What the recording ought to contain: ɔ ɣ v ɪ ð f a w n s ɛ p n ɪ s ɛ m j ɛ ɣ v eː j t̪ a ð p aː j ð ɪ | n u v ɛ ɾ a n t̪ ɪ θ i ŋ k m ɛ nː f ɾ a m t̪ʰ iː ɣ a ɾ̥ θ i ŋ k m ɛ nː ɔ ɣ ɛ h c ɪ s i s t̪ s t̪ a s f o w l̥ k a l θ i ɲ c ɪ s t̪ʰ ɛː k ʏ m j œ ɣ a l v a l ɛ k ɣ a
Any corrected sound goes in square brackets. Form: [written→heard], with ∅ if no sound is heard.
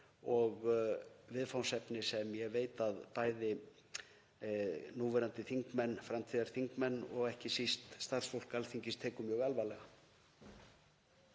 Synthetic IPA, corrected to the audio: ɔ ɣ v ɪ ð f a w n s ɛ p n ɪ s ɛ m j ɛ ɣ v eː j t̪ a ð p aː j ð ɪ | n u v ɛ ɾ a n t̪ ɪ θ i ŋ k m ɛ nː f ɾ a m t̪ʰ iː [ɣ→ð] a ɾ̥ θ i ŋ k m ɛ nː ɔ ɣ ɛ h c ɪ s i s t̪ s t̪ a s f o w l̥ k a l θ i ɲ c ɪ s t̪ʰ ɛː k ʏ m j œ ɣ a l v a l ɛ [k→∅] ɣ a

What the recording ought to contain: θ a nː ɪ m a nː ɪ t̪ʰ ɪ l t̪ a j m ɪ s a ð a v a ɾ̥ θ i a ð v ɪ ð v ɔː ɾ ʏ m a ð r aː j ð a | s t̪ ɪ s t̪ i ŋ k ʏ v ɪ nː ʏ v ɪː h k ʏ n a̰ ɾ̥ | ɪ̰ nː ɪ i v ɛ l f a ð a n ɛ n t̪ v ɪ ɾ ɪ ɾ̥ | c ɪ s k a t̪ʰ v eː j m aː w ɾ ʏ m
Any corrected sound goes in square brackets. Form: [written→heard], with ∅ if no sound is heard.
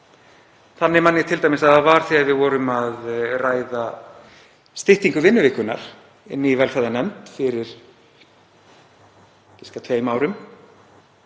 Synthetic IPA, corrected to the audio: θ a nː ɪ m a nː ɪ t̪ʰ ɪ l t̪ a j m ɪ s a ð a v a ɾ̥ θ i a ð v ɪ ð v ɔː ɾ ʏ m a ð r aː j ð a | s t̪ ɪ [s→h] t̪ i ŋ k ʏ v ɪ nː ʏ v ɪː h k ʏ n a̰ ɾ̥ | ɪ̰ nː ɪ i v ɛ l f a ð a n ɛ [n→m] t̪ [v→f] ɪ ɾ ɪ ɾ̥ | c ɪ s k a t̪ʰ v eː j m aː w ɾ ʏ m

